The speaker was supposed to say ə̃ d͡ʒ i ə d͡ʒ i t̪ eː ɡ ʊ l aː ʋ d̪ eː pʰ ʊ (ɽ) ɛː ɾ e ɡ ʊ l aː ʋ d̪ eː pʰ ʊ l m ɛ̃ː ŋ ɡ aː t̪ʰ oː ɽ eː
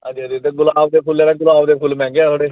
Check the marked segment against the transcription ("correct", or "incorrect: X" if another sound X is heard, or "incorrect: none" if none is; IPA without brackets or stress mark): incorrect: l